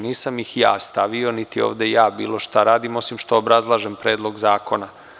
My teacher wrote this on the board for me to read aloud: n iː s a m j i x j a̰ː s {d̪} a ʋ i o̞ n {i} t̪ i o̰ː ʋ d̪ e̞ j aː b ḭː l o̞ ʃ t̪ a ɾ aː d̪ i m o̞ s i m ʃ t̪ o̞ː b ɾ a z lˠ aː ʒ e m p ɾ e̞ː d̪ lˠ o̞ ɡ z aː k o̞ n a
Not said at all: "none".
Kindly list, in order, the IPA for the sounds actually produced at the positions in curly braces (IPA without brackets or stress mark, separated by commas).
t̪, i